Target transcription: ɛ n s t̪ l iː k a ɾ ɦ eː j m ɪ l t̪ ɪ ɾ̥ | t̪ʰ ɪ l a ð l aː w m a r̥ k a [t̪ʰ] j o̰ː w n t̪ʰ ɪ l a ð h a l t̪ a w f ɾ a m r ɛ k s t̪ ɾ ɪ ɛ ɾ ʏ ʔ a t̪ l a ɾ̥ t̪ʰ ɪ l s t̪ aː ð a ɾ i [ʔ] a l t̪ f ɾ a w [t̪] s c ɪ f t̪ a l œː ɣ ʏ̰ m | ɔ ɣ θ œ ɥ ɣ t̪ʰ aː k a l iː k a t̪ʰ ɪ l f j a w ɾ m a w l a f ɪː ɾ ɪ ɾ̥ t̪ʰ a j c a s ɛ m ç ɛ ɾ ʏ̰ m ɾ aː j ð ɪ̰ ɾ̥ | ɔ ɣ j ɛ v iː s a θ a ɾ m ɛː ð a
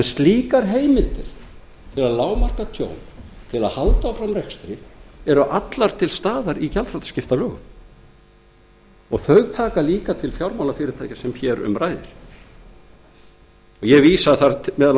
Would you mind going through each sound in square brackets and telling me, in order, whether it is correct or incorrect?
correct, incorrect, correct

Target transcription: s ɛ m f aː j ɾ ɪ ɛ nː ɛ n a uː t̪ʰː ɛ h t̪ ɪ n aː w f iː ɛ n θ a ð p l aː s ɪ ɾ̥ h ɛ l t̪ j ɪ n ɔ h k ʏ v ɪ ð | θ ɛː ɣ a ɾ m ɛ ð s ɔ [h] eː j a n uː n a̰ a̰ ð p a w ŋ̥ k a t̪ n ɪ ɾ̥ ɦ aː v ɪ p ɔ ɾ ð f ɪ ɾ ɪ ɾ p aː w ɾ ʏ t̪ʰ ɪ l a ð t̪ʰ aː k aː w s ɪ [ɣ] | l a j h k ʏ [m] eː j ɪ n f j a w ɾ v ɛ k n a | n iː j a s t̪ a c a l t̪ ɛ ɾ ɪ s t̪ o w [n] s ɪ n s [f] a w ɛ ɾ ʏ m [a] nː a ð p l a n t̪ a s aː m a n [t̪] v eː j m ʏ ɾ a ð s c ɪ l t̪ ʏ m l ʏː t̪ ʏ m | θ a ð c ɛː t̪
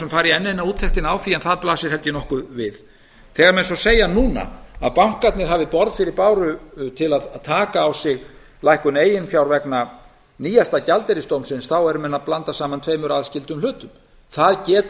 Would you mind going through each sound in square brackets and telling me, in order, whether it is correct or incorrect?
incorrect, correct, incorrect, incorrect, incorrect, incorrect, incorrect

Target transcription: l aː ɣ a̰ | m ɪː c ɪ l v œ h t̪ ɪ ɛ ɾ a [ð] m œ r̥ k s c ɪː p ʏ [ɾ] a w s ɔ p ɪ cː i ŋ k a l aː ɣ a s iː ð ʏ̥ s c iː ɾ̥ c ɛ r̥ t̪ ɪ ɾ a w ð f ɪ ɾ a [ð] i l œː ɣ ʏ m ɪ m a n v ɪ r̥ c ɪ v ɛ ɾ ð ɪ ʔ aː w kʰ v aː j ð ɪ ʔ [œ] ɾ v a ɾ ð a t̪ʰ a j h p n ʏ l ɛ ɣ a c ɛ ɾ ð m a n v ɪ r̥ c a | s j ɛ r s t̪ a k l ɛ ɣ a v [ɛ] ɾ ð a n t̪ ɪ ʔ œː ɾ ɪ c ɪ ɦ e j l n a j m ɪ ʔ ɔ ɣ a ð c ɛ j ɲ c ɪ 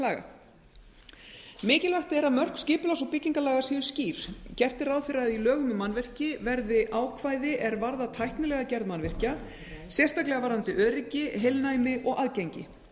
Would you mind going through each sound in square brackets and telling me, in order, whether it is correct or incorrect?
correct, incorrect, correct, incorrect, incorrect

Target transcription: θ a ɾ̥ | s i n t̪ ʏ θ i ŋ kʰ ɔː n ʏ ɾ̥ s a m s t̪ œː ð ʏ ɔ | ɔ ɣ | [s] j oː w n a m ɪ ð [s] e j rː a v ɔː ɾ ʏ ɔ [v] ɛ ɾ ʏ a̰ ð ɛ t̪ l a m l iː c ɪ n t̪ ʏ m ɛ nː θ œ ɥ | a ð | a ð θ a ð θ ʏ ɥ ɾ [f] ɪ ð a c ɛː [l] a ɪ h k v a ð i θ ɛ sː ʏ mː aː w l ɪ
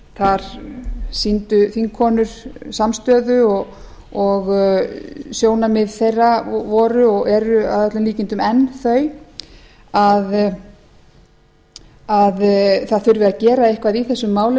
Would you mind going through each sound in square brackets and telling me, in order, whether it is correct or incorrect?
correct, incorrect, incorrect, incorrect, incorrect

